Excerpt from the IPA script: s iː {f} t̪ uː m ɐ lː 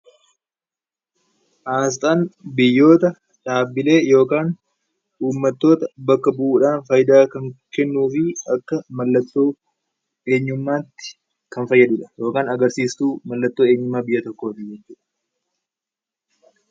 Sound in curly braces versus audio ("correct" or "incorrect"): incorrect